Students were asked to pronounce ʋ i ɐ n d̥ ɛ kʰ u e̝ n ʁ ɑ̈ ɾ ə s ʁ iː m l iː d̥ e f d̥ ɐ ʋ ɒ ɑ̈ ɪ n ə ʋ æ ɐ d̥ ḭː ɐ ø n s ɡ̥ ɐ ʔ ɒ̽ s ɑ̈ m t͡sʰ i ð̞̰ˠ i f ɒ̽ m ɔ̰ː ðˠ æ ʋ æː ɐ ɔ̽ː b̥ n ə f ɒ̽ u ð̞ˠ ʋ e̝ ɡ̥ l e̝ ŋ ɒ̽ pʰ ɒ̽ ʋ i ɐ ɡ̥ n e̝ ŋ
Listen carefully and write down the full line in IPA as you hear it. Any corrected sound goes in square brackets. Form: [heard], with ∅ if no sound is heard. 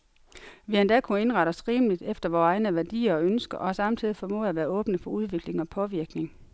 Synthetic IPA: ʋ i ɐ n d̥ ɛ kʰ u e̝ n ʁ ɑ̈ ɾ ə s ʁ iː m l [i] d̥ e f d̥ ɐ ʋ [ɒː] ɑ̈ ɪ n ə ʋ æ ɐ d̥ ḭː ɐ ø n s ɡ̥ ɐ ʔ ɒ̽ s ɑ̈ m t͡sʰ i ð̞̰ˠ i f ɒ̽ m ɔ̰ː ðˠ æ ʋ æː ɐ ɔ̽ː b̥ n ə f ɒ̽ u ð̞ˠ ʋ e̝ ɡ̥ l e̝ ŋ ɒ̽ pʰ ɒ̽ ʋ i ɐ ɡ̥ n e̝ ŋ